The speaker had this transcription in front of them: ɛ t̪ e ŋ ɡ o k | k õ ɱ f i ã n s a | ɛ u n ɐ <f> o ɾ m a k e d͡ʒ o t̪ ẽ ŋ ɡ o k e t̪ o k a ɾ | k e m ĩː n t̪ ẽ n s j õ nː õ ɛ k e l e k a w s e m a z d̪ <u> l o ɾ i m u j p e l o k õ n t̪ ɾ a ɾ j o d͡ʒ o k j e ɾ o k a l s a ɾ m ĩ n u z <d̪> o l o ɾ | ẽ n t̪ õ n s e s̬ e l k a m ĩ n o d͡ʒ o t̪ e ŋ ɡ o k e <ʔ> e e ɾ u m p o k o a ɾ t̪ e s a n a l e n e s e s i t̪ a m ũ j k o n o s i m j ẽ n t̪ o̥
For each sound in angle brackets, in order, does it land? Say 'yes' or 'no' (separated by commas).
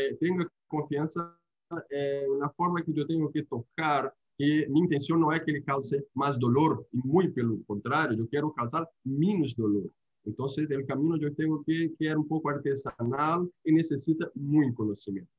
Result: yes, no, yes, no